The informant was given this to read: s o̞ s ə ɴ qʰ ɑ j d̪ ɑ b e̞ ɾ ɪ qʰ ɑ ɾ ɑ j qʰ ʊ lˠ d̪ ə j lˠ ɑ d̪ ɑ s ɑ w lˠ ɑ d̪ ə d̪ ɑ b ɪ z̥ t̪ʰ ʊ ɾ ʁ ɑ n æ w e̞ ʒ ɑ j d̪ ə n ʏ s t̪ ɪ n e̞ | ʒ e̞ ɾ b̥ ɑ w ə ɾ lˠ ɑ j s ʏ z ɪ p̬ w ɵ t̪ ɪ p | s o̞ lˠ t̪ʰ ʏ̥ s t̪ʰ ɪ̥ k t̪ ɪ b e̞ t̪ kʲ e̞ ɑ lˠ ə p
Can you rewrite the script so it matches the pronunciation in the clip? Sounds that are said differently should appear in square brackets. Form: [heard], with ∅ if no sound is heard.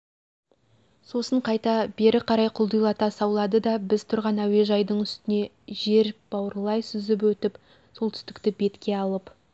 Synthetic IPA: s o̞ s ə ɴ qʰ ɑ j [t̪] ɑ b e̞ ɾ ɪ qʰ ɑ ɾ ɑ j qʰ ʊ lˠ d̪ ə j lˠ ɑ [t̪] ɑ s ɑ w lˠ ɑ d̪ ə d̪ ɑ b ɪ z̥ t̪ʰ ʊ ɾ ʁ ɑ n æ w e̞ ʒ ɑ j d̪ ə [ɴ] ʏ s t̪ ɪ n e̞ | ʒ e̞ ɾ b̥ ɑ w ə ɾ lˠ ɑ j s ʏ z ɪ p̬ w ɵ t̪ ɪ p | s o̞ lˠ t̪ʰ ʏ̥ s [t̪] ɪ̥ k t̪ ɪ b e̞ t̪ kʲ e̞ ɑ lˠ ə p

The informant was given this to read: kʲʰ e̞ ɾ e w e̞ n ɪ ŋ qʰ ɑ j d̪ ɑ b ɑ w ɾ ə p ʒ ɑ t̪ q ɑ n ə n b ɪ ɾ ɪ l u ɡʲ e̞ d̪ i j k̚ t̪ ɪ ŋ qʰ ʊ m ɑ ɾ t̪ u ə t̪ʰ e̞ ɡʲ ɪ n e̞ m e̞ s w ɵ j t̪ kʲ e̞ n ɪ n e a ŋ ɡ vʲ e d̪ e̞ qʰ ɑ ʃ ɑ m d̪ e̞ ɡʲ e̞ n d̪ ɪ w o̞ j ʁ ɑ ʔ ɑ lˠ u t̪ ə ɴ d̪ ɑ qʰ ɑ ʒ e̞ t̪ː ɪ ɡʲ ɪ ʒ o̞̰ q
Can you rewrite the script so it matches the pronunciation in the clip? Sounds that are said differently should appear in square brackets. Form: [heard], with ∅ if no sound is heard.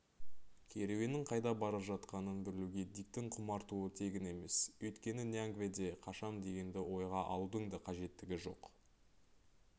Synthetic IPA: kʲʰ e̞ ɾ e w e̞ n ɪ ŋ qʰ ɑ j d̪ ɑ b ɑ [∅] ɾ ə p ʒ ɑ t̪ q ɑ n ə n b ɪ ɾ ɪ l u ɡʲ e̞ d̪ i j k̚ t̪ ɪ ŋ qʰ ʊ m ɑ ɾ t̪ u ə t̪ʰ e̞ ɡʲ ɪ n e̞ m e̞ s w ɵ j t̪ kʲ e̞ n ɪ n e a ŋ ɡ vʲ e d̪ e̞ qʰ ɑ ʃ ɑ m d̪ e̞ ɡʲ e̞ n d̪ ɪ w o̞ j ʁ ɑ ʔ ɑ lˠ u [d̪] ə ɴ d̪ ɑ qʰ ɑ ʒ e̞ t̪ː ɪ ɡʲ ɪ ʒ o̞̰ q

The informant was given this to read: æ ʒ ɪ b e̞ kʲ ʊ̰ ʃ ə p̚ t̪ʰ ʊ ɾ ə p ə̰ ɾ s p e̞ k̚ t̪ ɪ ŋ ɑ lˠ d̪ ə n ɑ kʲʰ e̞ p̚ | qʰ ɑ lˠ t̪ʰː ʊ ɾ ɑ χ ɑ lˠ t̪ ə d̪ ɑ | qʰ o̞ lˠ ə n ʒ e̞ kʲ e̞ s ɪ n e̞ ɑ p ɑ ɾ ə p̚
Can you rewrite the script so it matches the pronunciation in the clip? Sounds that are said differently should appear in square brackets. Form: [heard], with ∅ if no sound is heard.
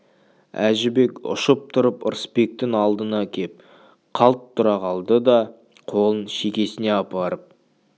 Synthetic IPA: æ ʒ ɪ b e̞ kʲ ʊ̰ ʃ ə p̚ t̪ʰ ʊ ɾ ə p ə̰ ɾ s p e̞ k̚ t̪ ɪ ŋ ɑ lˠ d̪ ə n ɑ kʲʰ e̞ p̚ | qʰ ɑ lˠ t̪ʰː ʊ ɾ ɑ [ʁ] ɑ lˠ [d̪] ə d̪ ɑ | qʰ o̞ lˠ ə n [ʃ] e̞ kʲ e̞ s ɪ n e̞ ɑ p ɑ ɾ ə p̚

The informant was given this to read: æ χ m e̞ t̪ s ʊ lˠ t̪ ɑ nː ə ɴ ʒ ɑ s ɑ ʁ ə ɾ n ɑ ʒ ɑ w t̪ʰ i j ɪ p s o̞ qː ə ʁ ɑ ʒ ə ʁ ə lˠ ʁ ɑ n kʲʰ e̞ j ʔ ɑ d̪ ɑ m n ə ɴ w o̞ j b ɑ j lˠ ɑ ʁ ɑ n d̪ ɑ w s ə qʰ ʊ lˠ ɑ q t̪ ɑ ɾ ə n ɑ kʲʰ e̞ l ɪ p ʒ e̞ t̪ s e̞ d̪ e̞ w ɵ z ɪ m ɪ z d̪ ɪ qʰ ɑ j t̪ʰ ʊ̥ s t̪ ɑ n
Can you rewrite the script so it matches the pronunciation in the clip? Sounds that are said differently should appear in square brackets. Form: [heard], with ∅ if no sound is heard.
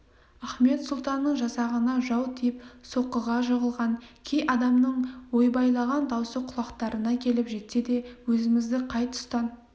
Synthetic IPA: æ χ m e̞ t̪ s ʊ lˠ t̪ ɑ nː ə ɴ ʒ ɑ s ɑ ʁ ə [∅] n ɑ ʒ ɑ w t̪ʰ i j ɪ p s o̞ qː ə ʁ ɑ ʒ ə ʁ ə lˠ ʁ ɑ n kʲʰ e̞ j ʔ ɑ d̪ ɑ m n ə ɴ w o̞ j b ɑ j lˠ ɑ ʁ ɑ n d̪ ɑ w s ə qʰ ʊ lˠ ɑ q t̪ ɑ ɾ ə n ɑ kʲʰ e̞ l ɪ p ʒ e̞ t̪ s e̞ d̪ e̞ w ɵ z ɪ m ɪ z d̪ ɪ qʰ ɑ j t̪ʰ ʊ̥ s t̪ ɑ n

